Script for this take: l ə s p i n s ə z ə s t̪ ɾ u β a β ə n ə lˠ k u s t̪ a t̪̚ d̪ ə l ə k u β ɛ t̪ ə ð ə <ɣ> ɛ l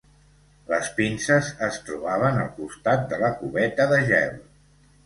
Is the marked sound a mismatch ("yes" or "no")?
yes